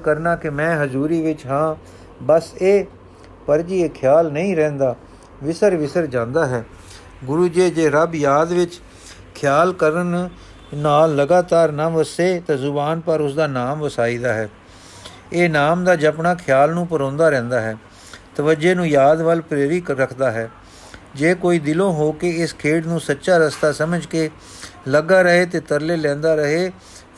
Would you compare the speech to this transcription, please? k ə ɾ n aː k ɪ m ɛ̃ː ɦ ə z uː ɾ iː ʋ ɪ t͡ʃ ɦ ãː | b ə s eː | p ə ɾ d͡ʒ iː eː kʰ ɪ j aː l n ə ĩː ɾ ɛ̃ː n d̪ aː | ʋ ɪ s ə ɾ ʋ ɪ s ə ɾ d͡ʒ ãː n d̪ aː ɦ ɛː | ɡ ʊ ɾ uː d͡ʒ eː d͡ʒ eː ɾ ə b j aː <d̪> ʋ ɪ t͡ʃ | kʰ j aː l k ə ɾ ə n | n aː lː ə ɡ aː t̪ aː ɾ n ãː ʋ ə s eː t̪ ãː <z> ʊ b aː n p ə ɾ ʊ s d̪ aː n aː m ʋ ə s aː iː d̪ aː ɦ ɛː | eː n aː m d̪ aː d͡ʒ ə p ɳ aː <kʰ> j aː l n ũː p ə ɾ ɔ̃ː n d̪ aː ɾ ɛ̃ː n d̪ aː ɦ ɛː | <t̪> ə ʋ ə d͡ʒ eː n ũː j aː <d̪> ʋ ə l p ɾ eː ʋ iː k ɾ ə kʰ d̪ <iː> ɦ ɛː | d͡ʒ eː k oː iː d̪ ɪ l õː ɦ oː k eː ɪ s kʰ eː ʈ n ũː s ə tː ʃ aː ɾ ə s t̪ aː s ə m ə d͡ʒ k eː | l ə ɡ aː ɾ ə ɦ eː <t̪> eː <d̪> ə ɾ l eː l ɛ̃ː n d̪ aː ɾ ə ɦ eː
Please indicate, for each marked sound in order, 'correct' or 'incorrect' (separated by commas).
correct, correct, correct, correct, correct, incorrect, correct, incorrect